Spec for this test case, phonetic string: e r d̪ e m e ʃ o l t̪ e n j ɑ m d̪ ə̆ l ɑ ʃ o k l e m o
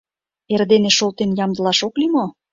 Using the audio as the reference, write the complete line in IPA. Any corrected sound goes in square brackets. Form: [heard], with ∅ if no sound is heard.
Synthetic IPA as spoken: e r d̪ e [n] e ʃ o l t̪ e n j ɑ m d̪ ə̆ l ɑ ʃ o k l [i] m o